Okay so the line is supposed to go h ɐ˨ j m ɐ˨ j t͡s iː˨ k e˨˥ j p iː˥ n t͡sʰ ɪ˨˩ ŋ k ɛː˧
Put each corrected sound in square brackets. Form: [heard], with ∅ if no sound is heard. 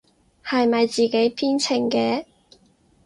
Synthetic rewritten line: h ɐ˨ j m ɐ˨ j t͡s iː˨ k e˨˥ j [pʰ] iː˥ n t͡sʰ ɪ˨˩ ŋ k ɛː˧